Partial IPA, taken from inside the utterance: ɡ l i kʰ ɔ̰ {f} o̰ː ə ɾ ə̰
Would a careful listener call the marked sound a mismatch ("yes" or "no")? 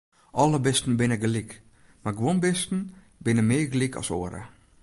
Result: yes